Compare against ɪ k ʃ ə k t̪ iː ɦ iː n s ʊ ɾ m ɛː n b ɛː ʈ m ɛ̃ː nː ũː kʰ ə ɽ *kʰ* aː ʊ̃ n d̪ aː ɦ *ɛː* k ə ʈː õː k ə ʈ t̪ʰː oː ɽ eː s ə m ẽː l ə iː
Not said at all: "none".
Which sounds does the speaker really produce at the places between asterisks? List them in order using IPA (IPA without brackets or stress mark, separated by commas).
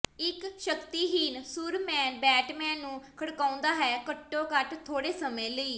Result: k, ɛː